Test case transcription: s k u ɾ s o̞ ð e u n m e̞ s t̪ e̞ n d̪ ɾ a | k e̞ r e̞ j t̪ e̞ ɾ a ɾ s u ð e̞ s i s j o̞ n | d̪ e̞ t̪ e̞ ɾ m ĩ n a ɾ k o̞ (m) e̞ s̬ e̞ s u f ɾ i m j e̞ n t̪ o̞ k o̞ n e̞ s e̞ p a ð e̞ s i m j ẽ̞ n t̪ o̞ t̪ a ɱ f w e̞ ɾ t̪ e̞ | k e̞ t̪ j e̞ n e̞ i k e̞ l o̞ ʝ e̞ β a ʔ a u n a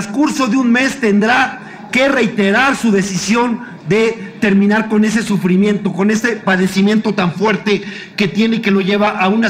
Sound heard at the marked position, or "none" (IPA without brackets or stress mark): n